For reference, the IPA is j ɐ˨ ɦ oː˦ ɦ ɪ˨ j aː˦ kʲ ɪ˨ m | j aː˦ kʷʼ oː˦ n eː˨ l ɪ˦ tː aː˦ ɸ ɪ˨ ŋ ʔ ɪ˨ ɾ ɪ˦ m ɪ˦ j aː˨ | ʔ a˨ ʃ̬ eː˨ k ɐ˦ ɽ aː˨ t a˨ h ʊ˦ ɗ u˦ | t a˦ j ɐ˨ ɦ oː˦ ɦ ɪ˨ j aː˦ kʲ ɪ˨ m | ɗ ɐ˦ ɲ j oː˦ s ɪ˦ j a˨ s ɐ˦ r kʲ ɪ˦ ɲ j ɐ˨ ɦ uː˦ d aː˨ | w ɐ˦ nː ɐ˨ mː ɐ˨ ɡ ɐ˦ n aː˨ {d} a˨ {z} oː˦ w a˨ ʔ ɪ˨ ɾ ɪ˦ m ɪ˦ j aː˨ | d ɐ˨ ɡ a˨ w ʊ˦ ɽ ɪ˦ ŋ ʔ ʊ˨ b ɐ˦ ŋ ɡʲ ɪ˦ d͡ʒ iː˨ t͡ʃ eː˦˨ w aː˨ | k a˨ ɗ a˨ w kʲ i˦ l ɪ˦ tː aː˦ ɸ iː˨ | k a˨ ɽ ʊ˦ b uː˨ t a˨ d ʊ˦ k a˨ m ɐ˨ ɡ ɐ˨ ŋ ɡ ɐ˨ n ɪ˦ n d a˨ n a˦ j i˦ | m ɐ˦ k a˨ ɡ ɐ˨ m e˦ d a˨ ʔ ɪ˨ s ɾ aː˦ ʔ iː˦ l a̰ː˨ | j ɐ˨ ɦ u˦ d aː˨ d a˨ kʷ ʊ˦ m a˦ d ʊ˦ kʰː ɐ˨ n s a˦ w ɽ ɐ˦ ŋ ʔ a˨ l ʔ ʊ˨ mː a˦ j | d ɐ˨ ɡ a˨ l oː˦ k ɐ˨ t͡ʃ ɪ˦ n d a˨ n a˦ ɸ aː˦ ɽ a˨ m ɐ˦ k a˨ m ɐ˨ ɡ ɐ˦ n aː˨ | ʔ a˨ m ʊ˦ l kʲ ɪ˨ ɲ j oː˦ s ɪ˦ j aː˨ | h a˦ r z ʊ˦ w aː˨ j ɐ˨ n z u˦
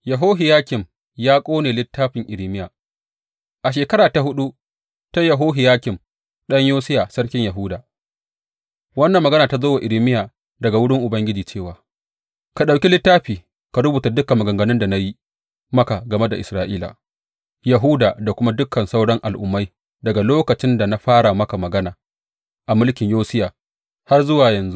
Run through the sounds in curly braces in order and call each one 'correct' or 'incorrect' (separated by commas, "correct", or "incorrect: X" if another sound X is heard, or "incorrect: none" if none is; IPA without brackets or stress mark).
incorrect: t, correct